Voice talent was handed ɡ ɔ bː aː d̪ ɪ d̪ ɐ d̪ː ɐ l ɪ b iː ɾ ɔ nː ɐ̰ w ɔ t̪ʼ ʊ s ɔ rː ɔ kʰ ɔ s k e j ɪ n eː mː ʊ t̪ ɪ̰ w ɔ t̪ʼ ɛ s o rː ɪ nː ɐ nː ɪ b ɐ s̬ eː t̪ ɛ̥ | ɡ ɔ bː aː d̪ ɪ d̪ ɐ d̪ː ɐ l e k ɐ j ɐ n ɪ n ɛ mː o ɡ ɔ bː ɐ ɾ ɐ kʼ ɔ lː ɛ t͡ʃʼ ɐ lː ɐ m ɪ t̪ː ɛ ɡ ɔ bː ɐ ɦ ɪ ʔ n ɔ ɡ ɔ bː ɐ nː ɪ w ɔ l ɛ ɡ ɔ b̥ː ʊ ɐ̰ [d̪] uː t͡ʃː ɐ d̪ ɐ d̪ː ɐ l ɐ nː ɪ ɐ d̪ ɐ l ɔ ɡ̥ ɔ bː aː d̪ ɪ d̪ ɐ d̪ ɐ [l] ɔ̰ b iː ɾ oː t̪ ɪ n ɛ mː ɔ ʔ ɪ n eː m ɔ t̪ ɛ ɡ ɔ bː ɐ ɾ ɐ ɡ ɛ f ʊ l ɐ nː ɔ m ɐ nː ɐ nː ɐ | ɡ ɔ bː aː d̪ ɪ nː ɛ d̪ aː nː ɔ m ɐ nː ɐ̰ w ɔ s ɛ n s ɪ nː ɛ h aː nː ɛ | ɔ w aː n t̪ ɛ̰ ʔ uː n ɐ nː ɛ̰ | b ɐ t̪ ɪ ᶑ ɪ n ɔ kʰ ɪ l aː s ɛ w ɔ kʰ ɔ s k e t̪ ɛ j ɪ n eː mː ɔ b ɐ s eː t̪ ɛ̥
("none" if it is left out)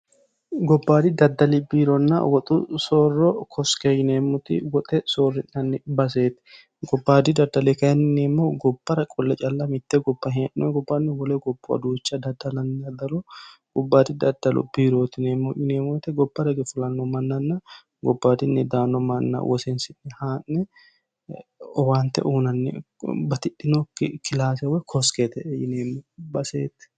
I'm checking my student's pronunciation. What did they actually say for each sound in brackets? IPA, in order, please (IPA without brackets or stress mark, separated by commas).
d̪, l